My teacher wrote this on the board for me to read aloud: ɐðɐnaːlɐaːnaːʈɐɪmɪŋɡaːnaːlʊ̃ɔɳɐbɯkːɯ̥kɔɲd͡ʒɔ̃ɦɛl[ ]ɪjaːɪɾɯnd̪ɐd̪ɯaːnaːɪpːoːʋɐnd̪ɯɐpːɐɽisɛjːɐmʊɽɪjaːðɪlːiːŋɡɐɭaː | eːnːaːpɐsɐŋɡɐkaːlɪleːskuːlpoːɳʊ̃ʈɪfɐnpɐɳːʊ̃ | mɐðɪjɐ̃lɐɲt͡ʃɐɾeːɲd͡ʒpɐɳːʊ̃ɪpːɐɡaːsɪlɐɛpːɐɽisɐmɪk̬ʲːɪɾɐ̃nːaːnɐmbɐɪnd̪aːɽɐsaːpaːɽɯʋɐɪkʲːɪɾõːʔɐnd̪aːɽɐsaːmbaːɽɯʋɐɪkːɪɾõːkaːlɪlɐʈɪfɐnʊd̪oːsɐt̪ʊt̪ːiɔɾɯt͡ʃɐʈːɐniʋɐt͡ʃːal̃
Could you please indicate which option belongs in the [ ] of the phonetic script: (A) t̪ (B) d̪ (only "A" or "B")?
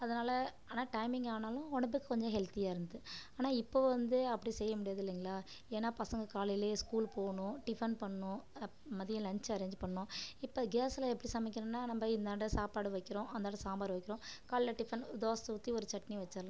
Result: A